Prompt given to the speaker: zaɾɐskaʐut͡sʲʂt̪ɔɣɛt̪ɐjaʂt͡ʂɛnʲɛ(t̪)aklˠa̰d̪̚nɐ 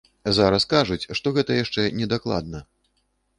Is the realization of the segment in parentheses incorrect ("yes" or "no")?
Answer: yes